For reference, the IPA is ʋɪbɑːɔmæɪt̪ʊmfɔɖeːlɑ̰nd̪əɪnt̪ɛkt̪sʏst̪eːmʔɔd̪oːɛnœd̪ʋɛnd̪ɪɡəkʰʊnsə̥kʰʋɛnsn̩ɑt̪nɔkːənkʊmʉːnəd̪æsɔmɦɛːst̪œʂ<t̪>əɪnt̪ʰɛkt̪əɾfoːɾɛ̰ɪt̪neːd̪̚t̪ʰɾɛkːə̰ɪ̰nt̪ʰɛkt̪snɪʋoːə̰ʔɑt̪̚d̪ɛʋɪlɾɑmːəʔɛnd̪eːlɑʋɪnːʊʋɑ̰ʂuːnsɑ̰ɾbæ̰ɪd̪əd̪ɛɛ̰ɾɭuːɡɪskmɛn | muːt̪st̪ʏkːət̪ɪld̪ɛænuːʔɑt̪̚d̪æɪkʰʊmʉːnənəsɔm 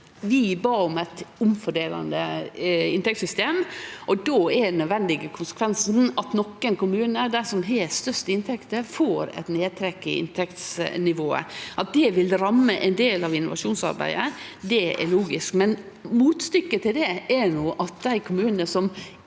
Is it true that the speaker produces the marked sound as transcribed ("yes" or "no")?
yes